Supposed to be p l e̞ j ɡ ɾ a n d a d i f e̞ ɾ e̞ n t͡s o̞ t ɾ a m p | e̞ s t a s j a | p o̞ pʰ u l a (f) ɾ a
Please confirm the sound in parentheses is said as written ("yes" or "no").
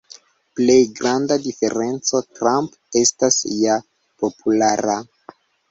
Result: no